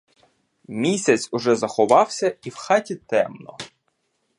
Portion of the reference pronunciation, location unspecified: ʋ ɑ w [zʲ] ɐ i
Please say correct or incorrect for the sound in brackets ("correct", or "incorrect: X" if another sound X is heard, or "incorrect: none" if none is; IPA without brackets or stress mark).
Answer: incorrect: sʲ